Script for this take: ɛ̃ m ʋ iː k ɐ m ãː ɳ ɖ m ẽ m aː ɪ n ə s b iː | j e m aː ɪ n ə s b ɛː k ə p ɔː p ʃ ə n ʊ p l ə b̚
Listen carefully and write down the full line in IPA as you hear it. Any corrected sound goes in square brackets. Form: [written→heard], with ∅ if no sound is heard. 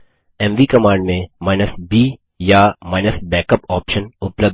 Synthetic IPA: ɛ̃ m ʋ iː k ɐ m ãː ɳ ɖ m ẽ m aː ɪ n ə s b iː | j [e→a] m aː ɪ n ə s b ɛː k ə p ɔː p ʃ ə n ʊ p l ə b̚

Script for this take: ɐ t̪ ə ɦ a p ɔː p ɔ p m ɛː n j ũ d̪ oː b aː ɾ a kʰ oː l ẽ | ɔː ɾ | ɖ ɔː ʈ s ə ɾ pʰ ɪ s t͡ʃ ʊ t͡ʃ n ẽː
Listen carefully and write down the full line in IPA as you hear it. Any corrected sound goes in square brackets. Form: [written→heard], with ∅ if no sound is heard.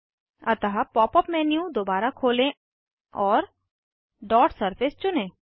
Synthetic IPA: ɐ t̪ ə ɦ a p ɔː p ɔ p m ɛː n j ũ d̪ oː b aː ɾ a kʰ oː l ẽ | ɔː ɾ | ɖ ɔː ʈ s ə ɾ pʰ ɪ s t͡ʃ ʊ [t͡ʃ→∅] n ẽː

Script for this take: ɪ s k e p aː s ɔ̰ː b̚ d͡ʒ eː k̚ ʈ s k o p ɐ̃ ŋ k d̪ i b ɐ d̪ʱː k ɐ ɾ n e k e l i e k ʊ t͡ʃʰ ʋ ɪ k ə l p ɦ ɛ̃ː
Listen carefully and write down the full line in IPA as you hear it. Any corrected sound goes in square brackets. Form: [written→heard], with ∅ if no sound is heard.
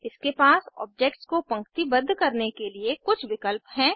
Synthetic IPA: ɪ s k e p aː s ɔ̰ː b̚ d͡ʒ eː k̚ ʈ s k o p ɐ̃ ŋ k [d̪→t̪] i b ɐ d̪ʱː k ɐ ɾ n e k e l i e k ʊ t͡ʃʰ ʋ ɪ k ə l p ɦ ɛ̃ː

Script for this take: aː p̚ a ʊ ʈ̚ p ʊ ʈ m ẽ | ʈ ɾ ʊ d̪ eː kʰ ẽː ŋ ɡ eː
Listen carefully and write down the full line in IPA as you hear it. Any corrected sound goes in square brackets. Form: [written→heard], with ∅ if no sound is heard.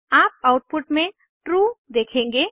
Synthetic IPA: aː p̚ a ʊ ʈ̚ p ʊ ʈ m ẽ | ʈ ɾ [ʊ→u] d̪ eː kʰ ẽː ŋ ɡ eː

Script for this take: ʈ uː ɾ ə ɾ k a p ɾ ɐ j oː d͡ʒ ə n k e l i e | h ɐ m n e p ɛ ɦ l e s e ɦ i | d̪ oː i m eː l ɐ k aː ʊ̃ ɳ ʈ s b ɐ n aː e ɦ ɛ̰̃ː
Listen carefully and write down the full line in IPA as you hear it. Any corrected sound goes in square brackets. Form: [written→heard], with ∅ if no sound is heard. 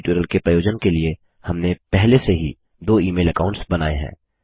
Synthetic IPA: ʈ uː ɾ ə [ɾ→l] k [a→e] p ɾ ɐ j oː d͡ʒ ə n k e l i e | h ɐ m n e p ɛ ɦ l e s e ɦ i | d̪ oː [i→iː] m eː l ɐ k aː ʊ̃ ɳ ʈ s b ɐ n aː e ɦ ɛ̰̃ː

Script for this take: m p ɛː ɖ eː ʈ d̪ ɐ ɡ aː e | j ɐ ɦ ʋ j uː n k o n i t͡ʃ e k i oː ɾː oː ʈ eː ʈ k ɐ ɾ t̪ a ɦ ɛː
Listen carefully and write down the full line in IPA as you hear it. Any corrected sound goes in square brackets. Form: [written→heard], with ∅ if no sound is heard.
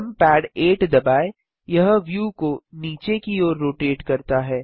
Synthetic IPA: m p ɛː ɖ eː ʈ d̪ ɐ [ɡ→b] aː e | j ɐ ɦ ʋ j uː [n→∅] k o n [i→iː] t͡ʃ e k i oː ɾː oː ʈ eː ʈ k ɐ ɾ t̪ a ɦ ɛː

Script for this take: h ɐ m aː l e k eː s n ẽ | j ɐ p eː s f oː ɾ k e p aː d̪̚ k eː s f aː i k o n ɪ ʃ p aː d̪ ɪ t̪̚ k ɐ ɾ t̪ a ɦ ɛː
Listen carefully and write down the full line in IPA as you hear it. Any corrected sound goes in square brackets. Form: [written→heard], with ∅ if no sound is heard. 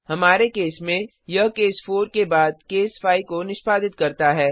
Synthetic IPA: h ɐ m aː [l→ɾ] e k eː s [n→m] ẽ | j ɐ [p→k] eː s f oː ɾ k e [p→b] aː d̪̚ k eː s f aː i k o n ɪ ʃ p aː d̪ ɪ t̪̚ k ɐ ɾ t̪ a ɦ ɛː

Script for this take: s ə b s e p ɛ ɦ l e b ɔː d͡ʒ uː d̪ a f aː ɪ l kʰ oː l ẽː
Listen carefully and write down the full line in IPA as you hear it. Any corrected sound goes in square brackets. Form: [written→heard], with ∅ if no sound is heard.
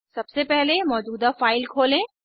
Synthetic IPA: s [ə→ɐ] b s e p ɛ ɦ l e [b→m] ɔː d͡ʒ uː d̪ a f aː ɪ l kʰ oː l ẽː

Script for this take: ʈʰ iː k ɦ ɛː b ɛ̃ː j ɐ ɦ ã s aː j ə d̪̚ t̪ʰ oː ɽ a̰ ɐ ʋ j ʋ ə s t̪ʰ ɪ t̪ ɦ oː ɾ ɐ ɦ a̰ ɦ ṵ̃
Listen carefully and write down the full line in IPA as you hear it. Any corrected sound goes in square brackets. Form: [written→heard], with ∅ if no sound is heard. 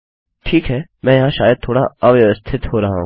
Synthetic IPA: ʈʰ iː k ɦ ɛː [b→m] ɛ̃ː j ɐ ɦ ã [s→ʃ] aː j ə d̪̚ t̪ʰ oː ɽ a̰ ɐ ʋ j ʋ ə s t̪ʰ ɪ t̪ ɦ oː ɾ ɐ ɦ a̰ ɦ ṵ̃

